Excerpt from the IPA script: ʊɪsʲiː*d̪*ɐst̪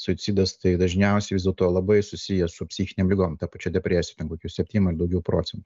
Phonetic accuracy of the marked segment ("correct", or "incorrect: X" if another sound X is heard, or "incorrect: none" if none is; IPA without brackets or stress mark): correct